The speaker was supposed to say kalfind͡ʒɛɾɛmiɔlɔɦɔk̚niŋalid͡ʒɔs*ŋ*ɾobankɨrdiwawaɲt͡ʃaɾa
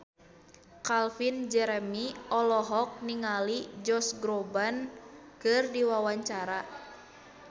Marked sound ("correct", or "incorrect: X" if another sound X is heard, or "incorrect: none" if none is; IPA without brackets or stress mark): incorrect: ɡ